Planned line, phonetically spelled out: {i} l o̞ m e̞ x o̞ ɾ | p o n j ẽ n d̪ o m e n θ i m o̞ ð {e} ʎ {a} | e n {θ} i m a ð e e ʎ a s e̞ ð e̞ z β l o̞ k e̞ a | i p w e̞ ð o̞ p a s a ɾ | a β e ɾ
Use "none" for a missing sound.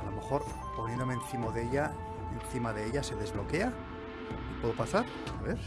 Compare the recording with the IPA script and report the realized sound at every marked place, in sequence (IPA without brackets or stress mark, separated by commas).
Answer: a, e, a, θ